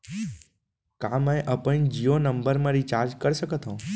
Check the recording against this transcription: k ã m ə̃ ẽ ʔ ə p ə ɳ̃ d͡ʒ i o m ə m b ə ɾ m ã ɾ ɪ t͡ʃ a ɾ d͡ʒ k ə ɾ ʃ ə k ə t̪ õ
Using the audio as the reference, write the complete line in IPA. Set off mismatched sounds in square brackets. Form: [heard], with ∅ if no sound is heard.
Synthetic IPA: k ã m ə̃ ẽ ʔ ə p ə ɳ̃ d͡ʒ i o [n] ə m b ə ɾ m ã ɾ [i] t͡ʃ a ɾ d͡ʒ k ə ɾ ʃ ə k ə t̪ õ

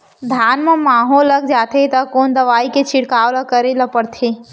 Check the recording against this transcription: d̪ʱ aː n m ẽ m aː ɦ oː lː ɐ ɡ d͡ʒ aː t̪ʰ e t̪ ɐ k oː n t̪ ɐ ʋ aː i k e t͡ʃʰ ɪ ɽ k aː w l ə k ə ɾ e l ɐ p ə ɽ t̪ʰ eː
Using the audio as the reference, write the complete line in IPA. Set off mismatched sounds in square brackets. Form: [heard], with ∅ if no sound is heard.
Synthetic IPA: d̪ʱ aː n m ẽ m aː ɦ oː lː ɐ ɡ d͡ʒ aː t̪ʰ e t̪ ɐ k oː n [d̪] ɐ ʋ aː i k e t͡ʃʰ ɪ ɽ k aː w l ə k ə ɾ e l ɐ p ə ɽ t̪ʰ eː

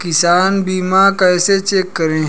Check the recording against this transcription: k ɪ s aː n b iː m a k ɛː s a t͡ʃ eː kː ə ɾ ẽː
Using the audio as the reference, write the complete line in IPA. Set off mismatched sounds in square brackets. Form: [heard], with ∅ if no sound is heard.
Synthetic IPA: k ɪ s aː n b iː m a k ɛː s [e] t͡ʃ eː kː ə ɾ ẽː

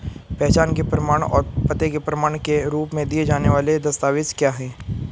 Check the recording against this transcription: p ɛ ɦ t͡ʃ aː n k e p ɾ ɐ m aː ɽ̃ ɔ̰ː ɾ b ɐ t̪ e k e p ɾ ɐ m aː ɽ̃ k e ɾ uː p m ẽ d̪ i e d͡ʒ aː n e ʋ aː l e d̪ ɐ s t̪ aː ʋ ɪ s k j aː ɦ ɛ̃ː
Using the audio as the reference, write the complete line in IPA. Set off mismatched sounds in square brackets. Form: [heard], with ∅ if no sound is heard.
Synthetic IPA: p ɛ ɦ t͡ʃ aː n k e p ɾ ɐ m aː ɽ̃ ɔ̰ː ɾ [p] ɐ t̪ e k e p ɾ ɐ m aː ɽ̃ k e ɾ uː p m ẽ d̪ i e d͡ʒ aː n e ʋ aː l e d̪ ɐ s t̪ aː ʋ ɪ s k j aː ɦ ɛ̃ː

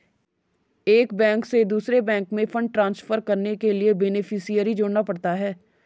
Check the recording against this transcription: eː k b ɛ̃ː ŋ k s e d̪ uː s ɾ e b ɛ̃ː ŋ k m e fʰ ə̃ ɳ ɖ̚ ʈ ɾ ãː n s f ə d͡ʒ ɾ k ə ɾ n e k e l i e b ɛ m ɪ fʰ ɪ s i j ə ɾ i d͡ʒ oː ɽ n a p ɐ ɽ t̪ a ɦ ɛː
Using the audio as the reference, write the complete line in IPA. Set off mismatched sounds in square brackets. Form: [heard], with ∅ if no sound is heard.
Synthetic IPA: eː k b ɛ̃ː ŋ k s e d̪ uː s ɾ e b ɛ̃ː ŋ k m [ẽ] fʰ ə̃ ɳ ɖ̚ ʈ ɾ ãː n s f ə [∅] ɾ k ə ɾ n e k e l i e b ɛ [n] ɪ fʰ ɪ s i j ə ɾ i d͡ʒ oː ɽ n a p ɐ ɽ t̪ a ɦ ɛː

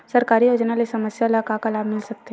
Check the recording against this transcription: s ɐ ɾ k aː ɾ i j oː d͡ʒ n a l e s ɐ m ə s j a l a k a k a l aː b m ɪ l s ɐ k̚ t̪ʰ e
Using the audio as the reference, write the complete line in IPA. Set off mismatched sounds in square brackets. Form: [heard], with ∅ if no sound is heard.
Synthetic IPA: s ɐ ɾ k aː ɾ i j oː d͡ʒ n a l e s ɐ m ə s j a l a k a k a l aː b m ɪ l s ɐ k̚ [t̪] e

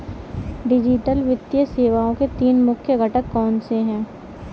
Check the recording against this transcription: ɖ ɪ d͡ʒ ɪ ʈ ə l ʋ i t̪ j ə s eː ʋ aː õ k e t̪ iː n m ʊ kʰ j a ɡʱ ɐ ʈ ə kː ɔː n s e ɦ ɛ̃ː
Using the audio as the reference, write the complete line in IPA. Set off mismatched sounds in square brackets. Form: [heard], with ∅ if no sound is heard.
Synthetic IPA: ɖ ɪ d͡ʒ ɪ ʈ ə l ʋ [ɪ] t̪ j ə s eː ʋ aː õ k e t̪ iː n m ʊ kʰ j [ə] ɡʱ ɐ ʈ ə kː ɔː n s e ɦ ɛ̃ː

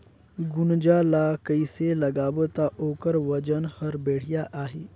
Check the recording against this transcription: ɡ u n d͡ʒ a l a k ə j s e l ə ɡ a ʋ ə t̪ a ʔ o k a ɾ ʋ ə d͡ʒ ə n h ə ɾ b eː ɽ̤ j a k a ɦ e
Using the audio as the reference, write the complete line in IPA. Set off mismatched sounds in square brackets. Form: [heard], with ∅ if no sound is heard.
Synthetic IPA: ɡ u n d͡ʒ a l a k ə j s e l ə ɡ a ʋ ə t̪ a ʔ o k [ə] ɾ ʋ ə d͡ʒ ə n h ə ɾ b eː ɽ̤ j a [ʔ] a ɦ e

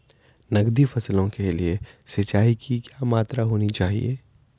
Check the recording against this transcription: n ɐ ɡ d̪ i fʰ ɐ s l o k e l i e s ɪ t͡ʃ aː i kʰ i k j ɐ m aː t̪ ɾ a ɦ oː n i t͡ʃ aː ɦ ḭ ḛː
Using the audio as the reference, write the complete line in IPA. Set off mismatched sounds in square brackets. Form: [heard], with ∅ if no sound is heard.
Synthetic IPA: n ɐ ɡ d̪ i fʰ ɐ s l [õ] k e l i e s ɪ t͡ʃ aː i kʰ i k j [a] m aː t̪ ɾ a ɦ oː n i t͡ʃ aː ɦ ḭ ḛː

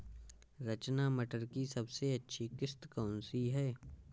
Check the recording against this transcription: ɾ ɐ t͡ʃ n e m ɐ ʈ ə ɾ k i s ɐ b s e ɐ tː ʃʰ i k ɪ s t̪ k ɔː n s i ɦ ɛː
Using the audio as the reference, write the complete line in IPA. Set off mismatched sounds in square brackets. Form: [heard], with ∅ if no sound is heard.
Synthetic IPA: ɾ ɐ t͡ʃ n [a] m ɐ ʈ ə ɾ k i s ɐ b s e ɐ tː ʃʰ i k ɪ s t̪ k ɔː n s i ɦ ɛː

